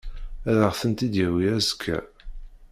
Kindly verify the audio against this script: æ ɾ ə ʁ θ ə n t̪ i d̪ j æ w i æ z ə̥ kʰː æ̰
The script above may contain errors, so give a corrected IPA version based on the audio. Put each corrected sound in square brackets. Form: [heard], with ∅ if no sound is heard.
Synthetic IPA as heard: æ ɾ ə ʁ θ ə n t̪ i d̪ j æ w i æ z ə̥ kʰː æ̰